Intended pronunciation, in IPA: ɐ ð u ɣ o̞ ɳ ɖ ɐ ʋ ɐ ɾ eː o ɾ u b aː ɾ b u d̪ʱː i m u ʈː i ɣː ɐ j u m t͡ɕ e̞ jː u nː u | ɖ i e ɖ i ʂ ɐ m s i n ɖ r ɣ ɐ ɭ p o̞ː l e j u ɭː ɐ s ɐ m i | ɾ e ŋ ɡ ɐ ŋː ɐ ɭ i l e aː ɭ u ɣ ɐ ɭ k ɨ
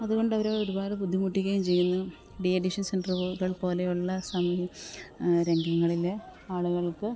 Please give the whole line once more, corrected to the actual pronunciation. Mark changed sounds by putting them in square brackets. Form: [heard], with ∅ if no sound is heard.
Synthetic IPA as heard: ɐ ð u ɣ o̞ ɳ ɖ ɐ ʋ ɐ ɾ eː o ɾ u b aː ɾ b u d̪ʱː i m u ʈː i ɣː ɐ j u m t͡ɕ e̞ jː u nː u | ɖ i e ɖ i ʂ ɐ [n] s [e] n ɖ r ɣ ɐ ɭ p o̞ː l e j u ɭː ɐ s ɐ m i | ɾ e ŋ ɡ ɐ ŋː ɐ ɭ i l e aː ɭ u ɣ ɐ ɭ k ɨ

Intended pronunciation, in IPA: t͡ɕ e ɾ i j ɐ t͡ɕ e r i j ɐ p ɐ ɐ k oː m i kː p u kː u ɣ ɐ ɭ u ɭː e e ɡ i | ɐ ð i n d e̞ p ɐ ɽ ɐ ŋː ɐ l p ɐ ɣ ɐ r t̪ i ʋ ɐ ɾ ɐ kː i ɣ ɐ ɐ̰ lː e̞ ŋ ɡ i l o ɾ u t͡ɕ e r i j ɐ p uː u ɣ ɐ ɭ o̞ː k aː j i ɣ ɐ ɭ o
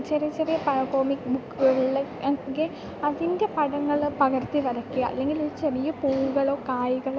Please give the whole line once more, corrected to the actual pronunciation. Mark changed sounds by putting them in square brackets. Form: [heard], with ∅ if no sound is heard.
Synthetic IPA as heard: t͡ɕ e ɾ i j ɐ t͡ɕ e r i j ɐ p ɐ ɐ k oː m i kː [b] u kː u ɣ ɐ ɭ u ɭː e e ɡ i | ɐ ð i n d e̞ p ɐ ɽ ɐ ŋː ɐ [ɭ] p ɐ ɣ ɐ r t̪ i ʋ ɐ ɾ ɐ kː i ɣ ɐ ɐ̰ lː e̞ ŋ ɡ i l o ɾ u t͡ɕ e r i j ɐ p uː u ɣ ɐ ɭ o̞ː k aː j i ɣ ɐ ɭ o

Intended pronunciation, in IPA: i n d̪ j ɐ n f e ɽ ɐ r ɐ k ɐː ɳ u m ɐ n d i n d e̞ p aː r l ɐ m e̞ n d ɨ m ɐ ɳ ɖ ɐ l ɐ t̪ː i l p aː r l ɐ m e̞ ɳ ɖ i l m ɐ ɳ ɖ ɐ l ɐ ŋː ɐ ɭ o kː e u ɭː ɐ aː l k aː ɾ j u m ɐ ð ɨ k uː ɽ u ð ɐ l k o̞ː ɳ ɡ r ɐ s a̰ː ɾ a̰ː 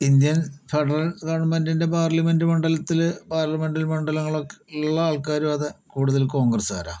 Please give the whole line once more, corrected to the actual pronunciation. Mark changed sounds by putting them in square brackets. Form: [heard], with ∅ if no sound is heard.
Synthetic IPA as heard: i n d̪ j ɐ n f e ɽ ɐ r ɐ k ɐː ɳ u m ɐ n d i n d e̞ p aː r l ɐ m e̞ n d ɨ m ɐ ɳ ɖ ɐ l ɐ t̪ː i l p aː r l ɐ m e̞ ɳ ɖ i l m ɐ ɳ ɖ ɐ l ɐ ŋː ɐ ɭ o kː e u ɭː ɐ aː [ɭ] k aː ɾ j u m ɐ ð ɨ k uː ɽ u ð ɐ l k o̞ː [ŋ] ɡ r ɐ s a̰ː ɾ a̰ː

